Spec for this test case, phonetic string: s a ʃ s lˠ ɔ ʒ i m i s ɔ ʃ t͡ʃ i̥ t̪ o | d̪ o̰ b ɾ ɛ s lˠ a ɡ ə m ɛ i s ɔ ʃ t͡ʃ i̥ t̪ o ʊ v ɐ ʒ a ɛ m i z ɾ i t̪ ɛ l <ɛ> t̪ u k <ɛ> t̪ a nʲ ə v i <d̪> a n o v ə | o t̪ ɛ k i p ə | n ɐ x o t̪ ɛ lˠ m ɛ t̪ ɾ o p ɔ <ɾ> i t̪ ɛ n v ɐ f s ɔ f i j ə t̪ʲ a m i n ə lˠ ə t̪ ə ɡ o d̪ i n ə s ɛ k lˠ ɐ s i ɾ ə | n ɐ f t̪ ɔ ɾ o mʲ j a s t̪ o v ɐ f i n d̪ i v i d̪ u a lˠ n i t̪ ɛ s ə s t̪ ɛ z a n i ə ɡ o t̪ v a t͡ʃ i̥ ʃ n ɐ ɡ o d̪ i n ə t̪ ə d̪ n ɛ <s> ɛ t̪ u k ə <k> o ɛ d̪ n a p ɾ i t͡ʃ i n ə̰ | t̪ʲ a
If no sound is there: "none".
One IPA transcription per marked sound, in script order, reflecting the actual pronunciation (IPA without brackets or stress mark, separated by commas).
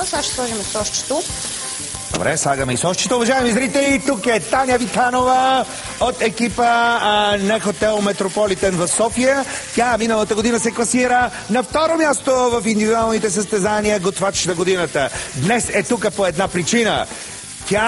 i, ɛ, t̪, l, s, p